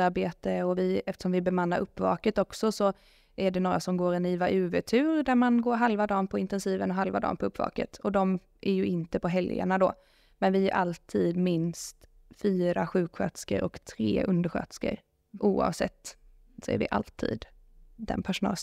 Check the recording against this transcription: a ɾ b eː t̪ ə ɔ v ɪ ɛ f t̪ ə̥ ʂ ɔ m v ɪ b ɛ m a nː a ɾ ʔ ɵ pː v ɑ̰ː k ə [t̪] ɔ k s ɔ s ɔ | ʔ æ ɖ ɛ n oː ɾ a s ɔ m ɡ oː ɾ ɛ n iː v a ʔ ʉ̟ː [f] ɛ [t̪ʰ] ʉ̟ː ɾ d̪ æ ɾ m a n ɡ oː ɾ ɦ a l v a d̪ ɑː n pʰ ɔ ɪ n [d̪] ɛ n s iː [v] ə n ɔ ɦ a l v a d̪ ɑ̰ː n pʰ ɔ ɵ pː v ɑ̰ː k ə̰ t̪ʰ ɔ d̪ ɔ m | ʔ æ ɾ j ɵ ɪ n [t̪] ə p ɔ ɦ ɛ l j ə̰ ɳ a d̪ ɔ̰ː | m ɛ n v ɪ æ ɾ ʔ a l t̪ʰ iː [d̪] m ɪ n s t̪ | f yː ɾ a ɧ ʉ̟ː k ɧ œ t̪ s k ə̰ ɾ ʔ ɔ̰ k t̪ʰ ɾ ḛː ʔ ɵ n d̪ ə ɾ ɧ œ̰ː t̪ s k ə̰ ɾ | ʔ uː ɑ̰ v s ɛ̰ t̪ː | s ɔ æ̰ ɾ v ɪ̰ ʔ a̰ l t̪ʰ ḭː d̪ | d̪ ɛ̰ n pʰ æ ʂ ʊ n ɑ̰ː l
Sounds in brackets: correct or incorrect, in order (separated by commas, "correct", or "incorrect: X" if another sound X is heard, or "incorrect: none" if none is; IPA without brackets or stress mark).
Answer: correct, incorrect: v, correct, incorrect: t̪, correct, correct, correct